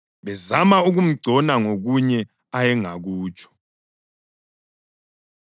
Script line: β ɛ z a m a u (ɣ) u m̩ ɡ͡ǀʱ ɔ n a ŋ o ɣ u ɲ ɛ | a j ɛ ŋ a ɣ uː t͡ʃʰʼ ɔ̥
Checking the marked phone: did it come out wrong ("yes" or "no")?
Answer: no